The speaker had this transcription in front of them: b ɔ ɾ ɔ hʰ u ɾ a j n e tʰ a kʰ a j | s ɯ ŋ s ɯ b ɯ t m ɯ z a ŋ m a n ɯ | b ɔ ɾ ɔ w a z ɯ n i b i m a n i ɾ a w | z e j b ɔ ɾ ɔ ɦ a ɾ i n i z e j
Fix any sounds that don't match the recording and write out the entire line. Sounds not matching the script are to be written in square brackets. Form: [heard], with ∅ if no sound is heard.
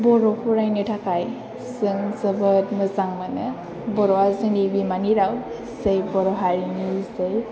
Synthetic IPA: b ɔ ɾ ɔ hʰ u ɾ a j n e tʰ a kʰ a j | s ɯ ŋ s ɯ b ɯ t m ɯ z a ŋ m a n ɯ | b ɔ ɾ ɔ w a z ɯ n i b i m a n i ɾ a w | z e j b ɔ ɾ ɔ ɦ a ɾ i n i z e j